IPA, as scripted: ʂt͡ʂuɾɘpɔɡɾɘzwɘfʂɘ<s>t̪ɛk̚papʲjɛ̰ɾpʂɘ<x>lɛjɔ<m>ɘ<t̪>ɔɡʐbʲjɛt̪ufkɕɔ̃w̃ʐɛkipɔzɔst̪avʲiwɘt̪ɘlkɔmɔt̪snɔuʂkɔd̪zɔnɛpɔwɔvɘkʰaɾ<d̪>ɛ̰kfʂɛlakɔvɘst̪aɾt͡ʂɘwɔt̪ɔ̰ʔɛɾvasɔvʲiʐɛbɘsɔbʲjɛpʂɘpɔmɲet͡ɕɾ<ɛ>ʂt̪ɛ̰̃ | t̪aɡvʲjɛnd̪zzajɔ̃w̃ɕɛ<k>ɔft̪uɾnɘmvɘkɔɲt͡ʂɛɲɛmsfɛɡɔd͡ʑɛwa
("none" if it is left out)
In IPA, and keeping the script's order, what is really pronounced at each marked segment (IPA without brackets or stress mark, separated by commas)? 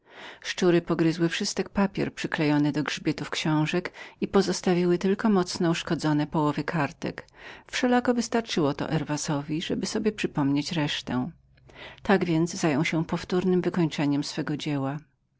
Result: s, k, n, d̪, t̪, ɛ, p